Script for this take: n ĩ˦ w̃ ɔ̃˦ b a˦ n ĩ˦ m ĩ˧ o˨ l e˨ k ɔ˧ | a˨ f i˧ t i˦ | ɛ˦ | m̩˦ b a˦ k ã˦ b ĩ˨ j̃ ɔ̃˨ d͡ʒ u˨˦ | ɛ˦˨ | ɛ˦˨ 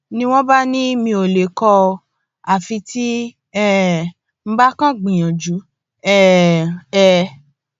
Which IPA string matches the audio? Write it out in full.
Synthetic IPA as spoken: n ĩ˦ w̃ ɔ̃˦ b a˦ n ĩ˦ m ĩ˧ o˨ l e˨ k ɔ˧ | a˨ f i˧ t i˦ | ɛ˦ | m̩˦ b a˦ k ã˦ ɡ͡b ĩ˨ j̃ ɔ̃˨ d͡ʒ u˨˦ | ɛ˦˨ | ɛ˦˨

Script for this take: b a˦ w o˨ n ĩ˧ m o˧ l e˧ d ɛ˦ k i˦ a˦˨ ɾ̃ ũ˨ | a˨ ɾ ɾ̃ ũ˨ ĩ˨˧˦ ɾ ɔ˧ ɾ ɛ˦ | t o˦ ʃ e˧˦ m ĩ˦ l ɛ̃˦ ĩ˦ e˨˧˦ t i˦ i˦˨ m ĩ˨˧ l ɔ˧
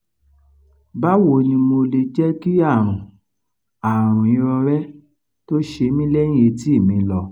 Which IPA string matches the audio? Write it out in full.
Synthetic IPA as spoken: b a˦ w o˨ n ĩ˧ m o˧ l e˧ d͡ʒ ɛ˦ k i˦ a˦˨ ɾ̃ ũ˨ | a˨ ɾ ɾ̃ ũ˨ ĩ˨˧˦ ɾ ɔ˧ ɾ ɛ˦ | t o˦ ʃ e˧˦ m ĩ˦ l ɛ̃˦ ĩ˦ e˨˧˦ t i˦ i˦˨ m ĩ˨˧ l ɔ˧

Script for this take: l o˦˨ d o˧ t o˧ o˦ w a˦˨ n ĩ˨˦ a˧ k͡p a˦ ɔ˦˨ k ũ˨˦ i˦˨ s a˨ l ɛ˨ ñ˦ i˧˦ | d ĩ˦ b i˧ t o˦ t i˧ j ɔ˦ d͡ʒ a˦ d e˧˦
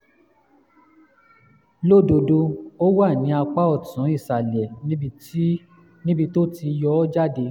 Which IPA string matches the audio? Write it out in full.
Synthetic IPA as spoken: l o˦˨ d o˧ d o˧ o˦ w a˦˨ n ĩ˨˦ a˧ k͡p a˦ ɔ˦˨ t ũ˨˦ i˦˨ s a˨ l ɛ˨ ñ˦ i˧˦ | n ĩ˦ b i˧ t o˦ t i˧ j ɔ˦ d͡ʒ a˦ d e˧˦

